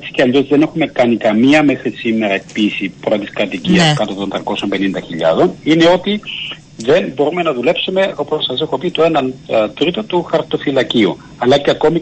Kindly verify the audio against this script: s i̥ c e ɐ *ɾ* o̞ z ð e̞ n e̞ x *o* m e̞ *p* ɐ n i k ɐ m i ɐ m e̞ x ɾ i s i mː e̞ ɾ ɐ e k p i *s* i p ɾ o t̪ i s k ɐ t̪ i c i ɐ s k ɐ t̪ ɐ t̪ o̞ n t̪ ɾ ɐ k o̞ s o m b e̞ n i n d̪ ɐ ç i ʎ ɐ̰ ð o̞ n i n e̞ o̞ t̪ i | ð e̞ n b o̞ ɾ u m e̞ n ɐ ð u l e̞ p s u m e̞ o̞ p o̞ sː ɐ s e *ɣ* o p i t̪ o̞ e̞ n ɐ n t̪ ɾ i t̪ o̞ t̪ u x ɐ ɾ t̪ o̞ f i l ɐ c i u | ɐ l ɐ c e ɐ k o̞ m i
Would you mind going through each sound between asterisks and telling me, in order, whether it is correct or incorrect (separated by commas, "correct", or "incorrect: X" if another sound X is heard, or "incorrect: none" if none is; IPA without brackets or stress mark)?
incorrect: ʎ, incorrect: u, incorrect: k, correct, incorrect: x